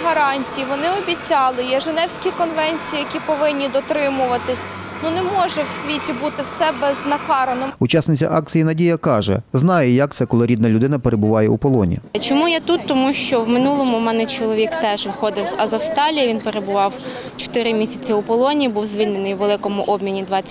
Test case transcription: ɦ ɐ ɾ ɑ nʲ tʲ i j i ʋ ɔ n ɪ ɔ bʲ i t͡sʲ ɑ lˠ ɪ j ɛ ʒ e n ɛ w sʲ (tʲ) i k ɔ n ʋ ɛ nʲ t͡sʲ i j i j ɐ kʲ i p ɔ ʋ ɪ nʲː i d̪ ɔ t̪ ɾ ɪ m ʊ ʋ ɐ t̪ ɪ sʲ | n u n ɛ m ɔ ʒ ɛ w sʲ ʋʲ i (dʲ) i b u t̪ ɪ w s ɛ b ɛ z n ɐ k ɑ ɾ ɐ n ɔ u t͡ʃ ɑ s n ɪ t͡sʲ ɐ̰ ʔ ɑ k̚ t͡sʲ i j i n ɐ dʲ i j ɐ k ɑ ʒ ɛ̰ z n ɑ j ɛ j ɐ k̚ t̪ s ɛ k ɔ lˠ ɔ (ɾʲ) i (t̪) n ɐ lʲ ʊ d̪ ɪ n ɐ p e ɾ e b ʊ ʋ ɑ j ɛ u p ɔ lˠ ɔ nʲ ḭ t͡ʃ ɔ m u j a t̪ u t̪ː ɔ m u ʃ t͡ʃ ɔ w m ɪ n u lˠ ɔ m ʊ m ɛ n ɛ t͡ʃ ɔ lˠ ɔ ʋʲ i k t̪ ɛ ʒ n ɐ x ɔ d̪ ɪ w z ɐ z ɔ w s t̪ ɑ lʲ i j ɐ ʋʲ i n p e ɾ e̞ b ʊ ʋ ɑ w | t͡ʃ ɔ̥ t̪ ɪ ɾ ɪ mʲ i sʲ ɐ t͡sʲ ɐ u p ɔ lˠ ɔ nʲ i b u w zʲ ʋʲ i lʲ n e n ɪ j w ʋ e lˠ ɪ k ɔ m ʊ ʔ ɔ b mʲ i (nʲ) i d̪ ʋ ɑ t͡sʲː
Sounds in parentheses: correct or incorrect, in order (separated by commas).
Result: incorrect, incorrect, correct, incorrect, correct